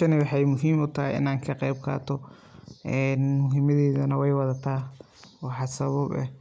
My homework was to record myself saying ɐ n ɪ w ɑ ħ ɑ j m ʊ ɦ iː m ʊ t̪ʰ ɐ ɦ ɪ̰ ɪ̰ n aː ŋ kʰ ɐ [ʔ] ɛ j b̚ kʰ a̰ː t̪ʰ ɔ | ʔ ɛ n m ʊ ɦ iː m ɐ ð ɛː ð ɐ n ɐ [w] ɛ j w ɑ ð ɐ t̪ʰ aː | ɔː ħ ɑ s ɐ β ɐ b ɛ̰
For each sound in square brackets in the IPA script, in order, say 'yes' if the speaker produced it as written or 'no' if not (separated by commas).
no, yes